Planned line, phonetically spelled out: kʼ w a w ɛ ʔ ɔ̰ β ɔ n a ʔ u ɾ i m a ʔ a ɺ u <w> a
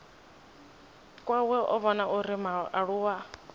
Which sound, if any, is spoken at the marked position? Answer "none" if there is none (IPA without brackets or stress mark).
w